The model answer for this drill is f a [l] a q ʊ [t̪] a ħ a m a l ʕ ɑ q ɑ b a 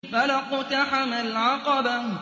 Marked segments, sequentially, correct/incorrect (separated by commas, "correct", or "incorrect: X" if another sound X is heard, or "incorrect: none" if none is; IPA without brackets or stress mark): correct, correct